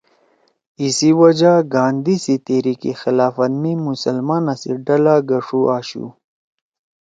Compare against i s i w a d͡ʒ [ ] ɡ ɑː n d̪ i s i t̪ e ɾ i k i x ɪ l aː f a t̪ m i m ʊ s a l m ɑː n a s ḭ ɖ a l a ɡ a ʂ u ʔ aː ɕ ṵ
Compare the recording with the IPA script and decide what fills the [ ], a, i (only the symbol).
a